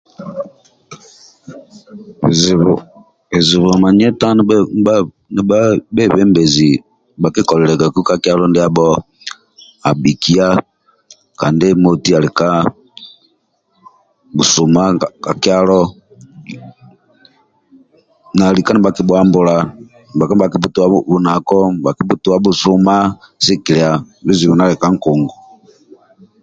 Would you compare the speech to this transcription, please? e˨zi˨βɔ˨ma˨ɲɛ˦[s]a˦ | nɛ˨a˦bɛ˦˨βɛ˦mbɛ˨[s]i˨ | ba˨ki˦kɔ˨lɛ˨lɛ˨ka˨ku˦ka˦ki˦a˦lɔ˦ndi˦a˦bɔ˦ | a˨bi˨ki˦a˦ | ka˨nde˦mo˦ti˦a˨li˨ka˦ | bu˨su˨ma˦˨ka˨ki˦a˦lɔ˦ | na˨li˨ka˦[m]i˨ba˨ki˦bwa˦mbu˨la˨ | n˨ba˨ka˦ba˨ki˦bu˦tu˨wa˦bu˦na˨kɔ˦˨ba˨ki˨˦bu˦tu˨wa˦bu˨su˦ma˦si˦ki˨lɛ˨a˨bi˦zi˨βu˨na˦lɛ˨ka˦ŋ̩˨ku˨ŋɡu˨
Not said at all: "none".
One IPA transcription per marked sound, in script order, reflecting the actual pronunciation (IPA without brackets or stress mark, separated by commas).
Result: t, z, n